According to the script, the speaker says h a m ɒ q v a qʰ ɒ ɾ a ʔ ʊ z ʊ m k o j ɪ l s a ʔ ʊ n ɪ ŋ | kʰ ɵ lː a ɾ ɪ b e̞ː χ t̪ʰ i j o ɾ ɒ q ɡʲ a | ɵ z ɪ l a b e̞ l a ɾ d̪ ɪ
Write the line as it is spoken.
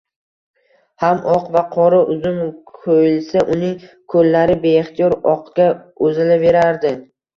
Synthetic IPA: h a m ɒ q v a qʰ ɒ ɾ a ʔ ʊ z ʊ m kʰ o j ɪ l s a ʔ ʊ n ɪ ŋ | kʰ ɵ lː a ɾ ɪ b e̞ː χ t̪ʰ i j ɒ ɾ ɒ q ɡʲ a | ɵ z ɪ l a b e̞ ɾ a ɾ d̪ ɪ